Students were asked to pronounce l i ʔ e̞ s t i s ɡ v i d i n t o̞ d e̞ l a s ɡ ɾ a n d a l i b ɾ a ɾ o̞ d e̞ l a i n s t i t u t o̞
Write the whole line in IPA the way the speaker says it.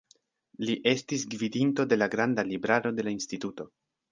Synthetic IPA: l i ʔ e̞ s t i s ɡ v i d i n t o̞ d e̞ l a ɡ ɾ a n d a l i b ɾ a ɾ o̞ d e̞ l a i n s t i t u t o̞